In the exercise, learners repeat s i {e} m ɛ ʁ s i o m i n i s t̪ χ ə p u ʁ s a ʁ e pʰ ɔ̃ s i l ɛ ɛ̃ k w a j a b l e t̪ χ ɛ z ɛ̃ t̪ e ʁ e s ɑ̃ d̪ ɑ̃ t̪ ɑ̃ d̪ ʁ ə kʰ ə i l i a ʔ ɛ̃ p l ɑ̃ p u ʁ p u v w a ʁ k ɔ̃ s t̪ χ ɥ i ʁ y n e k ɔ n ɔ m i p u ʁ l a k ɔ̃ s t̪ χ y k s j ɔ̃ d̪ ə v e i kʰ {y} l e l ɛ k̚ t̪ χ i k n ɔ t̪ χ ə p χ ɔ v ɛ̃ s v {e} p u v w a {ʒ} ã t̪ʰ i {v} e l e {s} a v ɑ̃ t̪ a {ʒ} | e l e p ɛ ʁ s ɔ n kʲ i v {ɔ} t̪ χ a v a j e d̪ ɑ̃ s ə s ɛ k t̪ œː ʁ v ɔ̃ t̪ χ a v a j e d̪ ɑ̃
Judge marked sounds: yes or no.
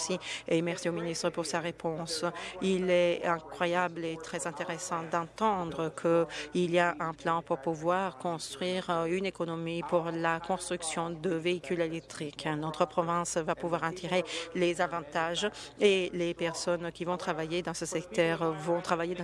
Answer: yes, yes, no, no, no, no, yes, no

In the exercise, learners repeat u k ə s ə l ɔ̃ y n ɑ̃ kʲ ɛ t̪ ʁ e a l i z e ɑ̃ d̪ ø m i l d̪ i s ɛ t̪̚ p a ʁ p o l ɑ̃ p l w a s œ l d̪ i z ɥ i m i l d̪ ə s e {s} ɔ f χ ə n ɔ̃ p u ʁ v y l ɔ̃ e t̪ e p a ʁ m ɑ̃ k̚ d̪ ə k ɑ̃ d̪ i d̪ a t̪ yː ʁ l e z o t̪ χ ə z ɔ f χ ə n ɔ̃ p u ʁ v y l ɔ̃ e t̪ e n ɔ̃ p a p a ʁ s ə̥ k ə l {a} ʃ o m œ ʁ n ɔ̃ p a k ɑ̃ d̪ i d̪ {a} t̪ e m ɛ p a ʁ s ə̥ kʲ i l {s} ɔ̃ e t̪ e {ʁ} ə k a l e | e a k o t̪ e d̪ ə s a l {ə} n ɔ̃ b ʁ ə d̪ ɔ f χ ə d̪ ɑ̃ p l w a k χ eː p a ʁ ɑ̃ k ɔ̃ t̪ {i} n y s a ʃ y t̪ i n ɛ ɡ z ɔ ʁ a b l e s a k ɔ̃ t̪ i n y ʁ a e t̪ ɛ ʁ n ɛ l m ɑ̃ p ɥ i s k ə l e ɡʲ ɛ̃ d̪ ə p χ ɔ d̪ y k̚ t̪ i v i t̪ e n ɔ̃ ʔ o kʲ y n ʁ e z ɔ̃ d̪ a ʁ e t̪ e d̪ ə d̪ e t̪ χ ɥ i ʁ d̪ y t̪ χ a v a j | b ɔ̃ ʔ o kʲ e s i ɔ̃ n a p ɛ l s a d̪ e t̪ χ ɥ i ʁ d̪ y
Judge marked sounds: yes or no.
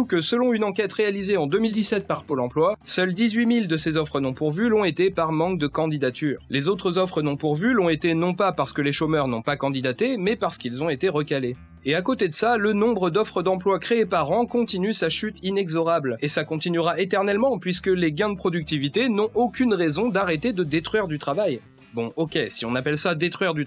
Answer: no, no, yes, no, yes, yes, yes

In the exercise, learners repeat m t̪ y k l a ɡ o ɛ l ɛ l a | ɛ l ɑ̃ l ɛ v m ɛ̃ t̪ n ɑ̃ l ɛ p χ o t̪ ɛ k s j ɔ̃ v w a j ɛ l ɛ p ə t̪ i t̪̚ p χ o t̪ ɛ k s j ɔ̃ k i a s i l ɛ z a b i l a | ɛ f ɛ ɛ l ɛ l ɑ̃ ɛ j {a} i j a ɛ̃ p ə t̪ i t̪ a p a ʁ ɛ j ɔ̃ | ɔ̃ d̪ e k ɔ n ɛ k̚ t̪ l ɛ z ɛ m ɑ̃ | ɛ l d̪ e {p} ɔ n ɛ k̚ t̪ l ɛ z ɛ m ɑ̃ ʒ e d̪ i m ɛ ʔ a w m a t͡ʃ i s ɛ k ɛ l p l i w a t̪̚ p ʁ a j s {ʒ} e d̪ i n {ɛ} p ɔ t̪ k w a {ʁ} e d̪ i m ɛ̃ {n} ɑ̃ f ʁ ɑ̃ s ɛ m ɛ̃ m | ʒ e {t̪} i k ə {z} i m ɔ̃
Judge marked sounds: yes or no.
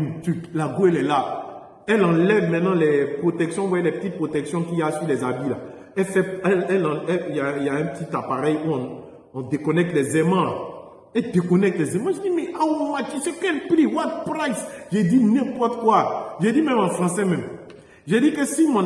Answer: yes, no, yes, no, no, no, no, no

